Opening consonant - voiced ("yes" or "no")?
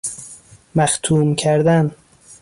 yes